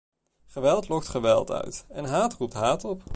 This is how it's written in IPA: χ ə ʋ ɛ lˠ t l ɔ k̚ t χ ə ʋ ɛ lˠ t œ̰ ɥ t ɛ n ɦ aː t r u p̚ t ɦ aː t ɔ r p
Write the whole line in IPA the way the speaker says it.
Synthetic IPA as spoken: χ ə ʋ ɛ lˠ t l ɔ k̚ t χ ə ʋ ɛ lˠ t œ̰ ɥ t ɛ n ɦ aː t r u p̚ t ɦ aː t ɔ p